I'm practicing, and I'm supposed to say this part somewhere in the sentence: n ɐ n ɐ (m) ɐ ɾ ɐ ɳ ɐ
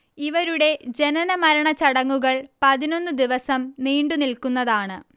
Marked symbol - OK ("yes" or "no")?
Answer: yes